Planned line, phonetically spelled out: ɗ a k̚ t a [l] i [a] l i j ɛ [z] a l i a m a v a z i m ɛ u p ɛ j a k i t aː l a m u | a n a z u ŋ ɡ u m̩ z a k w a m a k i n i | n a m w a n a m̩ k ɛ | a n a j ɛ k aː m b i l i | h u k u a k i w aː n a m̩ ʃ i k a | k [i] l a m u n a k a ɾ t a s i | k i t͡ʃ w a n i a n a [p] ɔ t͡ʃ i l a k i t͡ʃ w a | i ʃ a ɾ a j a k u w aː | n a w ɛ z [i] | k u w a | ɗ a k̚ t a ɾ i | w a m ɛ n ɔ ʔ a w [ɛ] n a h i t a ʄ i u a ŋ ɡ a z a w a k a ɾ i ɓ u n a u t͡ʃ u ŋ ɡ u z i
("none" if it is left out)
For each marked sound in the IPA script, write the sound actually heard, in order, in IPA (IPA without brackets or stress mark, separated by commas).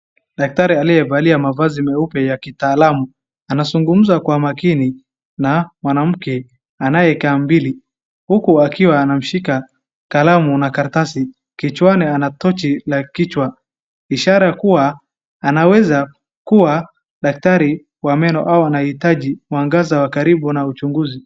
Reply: ɾ, a, v, a, t, a, a